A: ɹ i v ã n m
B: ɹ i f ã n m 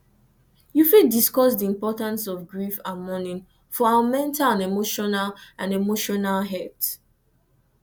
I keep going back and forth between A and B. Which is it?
B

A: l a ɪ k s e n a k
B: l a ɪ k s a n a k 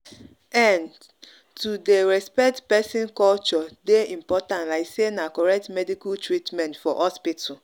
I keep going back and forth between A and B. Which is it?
A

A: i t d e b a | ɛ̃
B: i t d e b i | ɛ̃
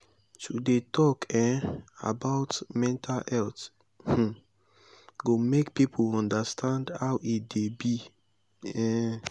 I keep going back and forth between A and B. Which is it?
B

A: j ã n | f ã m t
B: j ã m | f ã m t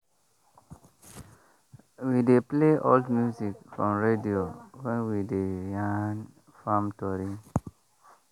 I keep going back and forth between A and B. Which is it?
A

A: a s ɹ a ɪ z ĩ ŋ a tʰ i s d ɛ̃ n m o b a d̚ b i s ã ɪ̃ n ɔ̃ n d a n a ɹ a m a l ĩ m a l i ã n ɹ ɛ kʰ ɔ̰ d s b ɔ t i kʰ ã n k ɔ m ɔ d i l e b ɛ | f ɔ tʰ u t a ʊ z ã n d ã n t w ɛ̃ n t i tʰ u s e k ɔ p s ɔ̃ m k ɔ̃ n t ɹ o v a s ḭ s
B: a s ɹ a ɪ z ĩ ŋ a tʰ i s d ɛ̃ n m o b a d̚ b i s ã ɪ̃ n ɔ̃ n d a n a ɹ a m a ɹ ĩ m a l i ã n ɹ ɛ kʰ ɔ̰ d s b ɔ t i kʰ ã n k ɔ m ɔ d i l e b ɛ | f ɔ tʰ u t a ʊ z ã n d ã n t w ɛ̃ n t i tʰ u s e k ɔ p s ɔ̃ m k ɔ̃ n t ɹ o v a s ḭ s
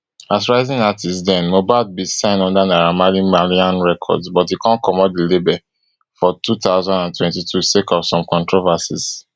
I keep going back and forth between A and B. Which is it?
A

